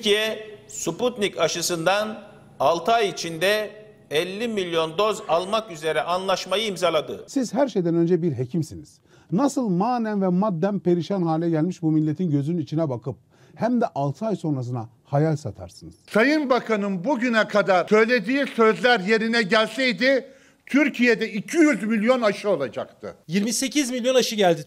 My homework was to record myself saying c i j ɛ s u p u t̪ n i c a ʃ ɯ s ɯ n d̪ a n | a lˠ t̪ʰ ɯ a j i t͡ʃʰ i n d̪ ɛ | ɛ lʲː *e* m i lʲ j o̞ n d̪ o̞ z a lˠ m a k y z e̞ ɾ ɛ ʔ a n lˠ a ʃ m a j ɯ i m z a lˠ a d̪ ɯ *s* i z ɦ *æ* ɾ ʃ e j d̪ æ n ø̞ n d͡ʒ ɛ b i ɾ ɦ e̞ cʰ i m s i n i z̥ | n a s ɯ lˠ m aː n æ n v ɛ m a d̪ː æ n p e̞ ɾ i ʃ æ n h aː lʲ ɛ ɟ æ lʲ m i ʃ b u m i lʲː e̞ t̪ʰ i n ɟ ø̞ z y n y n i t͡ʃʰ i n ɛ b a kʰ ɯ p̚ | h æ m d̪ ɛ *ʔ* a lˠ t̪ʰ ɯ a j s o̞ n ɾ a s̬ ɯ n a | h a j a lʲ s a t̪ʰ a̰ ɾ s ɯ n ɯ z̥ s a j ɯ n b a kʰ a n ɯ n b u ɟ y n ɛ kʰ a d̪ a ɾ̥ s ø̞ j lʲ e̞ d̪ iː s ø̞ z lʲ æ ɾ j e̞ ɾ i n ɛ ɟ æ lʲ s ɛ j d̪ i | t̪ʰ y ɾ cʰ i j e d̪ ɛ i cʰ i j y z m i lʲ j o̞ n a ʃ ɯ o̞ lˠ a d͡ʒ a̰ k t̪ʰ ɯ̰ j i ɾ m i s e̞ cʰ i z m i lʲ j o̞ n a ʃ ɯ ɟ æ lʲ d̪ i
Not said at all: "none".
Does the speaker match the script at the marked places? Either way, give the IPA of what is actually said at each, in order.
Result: i, s, æ, ʔ

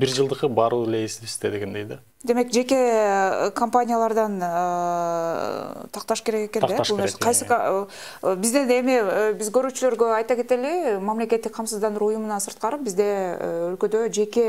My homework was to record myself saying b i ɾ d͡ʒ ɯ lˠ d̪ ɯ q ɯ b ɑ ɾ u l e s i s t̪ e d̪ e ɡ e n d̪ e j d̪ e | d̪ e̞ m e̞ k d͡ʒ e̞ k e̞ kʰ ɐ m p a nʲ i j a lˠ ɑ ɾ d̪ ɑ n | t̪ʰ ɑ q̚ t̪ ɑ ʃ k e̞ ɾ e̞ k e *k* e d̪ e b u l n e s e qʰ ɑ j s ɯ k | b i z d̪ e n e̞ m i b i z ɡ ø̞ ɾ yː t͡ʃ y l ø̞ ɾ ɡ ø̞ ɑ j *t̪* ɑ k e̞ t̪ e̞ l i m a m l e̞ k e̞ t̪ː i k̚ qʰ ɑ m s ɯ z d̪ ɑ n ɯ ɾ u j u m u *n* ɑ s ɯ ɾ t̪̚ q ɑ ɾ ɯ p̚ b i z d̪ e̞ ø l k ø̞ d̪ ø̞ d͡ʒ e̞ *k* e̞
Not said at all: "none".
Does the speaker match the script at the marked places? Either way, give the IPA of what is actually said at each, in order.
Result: k, t̪, n, k

